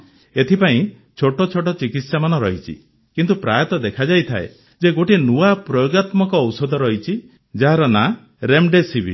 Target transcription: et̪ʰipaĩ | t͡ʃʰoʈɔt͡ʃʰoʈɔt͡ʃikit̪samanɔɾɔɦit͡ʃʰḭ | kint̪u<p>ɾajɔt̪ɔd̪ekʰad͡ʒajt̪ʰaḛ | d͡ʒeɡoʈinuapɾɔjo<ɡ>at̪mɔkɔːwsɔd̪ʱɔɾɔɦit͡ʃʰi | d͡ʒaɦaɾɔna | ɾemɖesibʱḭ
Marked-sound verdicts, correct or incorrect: correct, correct

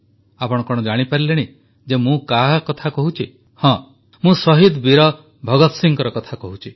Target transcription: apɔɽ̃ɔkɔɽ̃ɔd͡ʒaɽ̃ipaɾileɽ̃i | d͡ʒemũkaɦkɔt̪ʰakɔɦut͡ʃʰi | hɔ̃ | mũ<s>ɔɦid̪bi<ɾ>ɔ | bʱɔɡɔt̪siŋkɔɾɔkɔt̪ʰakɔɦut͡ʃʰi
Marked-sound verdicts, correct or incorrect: correct, correct

